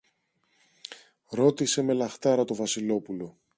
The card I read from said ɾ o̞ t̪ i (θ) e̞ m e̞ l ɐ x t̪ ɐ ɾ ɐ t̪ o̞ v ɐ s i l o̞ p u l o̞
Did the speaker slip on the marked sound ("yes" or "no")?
yes